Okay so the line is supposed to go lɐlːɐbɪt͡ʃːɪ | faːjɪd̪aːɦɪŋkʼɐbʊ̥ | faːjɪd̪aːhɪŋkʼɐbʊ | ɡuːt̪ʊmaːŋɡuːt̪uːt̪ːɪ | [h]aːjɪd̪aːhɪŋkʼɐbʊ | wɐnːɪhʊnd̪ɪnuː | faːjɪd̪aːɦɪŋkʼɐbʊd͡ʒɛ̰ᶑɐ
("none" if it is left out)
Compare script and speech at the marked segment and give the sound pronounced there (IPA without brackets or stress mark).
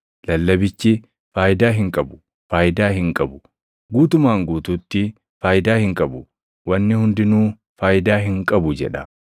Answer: f